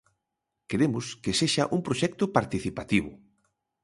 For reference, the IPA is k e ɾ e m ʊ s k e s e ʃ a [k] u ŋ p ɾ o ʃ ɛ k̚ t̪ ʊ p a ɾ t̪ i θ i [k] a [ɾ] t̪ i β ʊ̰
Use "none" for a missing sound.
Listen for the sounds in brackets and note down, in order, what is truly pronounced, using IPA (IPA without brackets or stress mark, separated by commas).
ʔ, p, none